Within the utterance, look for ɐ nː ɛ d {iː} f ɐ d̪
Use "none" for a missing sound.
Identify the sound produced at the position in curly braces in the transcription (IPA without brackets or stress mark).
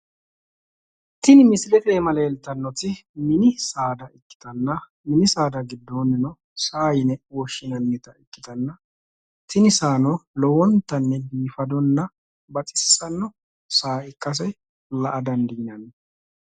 iː